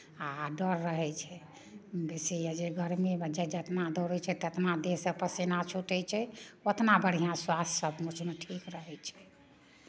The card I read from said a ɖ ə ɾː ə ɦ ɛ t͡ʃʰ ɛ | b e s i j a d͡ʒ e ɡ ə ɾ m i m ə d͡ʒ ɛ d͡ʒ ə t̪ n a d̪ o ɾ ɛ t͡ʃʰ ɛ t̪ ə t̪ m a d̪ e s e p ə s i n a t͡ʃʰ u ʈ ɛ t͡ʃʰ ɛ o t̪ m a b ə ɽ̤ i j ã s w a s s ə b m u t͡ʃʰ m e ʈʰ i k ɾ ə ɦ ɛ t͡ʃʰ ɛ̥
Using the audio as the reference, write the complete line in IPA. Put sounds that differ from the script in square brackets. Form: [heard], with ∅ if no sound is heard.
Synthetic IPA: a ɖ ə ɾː ə ɦ ɛ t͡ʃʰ ɛ | b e s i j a d͡ʒ e ɡ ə ɾ m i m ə d͡ʒ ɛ d͡ʒ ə t̪ n a d̪ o ɾ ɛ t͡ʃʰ ɛ t̪ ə t̪ [n] a d̪ e s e p ə s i n a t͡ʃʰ u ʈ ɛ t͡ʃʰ ɛ o t̪ [n] a b ə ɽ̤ i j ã s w a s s ə b m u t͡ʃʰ m e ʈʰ i k ɾ ə ɦ ɛ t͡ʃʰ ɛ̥